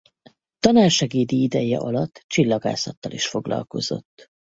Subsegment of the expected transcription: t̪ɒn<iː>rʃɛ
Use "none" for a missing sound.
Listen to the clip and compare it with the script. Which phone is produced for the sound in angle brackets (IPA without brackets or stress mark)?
aː